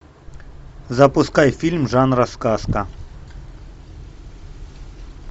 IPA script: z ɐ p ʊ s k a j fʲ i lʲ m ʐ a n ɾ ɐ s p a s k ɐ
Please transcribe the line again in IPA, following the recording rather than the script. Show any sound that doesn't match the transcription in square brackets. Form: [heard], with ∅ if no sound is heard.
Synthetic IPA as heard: z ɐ p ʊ s k a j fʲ i lʲ m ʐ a n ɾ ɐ s [k] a s k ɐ